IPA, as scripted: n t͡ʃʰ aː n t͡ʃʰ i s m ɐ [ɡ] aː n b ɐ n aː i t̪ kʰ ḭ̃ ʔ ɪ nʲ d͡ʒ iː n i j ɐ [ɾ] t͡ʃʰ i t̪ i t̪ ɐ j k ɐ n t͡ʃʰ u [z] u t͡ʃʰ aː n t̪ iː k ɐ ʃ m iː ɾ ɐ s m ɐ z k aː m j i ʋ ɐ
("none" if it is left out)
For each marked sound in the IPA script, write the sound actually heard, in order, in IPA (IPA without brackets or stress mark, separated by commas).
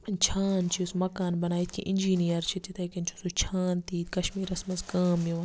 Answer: k, ɾ, s